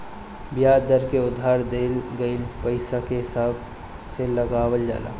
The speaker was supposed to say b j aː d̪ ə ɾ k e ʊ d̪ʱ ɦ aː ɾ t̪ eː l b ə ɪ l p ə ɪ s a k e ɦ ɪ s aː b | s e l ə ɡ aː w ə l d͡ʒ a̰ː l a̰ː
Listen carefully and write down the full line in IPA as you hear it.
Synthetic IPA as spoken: b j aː d̪ ə ɾ k e ʊ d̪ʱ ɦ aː ɾ d̪ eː l ɡ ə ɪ l p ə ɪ s a k e ɦ ɪ s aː b | s e l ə ɡ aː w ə l d͡ʒ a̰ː l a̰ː